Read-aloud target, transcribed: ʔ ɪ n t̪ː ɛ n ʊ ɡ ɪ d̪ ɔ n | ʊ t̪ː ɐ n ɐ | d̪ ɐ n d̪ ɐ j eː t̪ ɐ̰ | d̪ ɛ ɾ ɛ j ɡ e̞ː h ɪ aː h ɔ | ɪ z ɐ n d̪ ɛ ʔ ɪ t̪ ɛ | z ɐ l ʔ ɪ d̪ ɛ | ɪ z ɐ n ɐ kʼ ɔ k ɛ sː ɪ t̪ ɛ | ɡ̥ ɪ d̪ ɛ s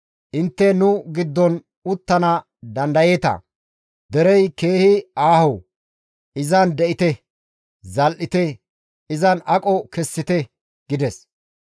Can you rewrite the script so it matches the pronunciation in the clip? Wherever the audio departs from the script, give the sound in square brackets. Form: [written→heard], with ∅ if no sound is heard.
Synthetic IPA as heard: ʔ ɪ n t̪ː ɛ n ʊ ɡ ɪ [d̪→d̪ː] ɔ n | ʊ t̪ː ɐ n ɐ | d̪ ɐ n d̪ ɐ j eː t̪ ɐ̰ | d̪ ɛ ɾ ɛ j [ɡ→k] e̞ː h ɪ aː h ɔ | ɪ z ɐ n d̪ ɛ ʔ ɪ t̪ ɛ | z ɐ l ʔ ɪ [d̪→t̪] ɛ | ɪ z ɐ n ɐ kʼ ɔ k ɛ sː ɪ t̪ ɛ | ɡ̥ ɪ d̪ ɛ s